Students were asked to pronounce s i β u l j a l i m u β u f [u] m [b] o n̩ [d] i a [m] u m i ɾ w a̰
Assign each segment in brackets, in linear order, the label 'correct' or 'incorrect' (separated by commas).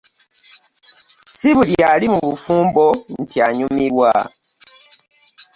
incorrect, correct, incorrect, incorrect